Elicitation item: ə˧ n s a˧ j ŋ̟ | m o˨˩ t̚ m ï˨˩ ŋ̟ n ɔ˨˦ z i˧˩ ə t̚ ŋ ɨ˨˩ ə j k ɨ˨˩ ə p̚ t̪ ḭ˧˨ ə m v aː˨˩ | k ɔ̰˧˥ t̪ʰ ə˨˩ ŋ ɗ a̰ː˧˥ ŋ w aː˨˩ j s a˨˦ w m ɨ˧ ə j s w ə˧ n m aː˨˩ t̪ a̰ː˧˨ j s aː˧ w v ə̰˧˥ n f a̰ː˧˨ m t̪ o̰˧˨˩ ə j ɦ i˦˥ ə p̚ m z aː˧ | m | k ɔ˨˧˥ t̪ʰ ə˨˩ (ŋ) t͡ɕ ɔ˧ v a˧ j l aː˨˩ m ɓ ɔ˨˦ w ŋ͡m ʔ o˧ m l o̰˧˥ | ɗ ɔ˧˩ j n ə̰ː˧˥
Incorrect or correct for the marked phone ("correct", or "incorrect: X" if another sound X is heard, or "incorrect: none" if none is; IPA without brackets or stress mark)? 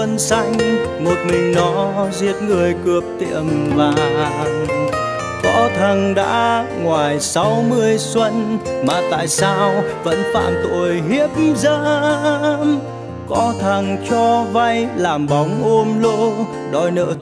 correct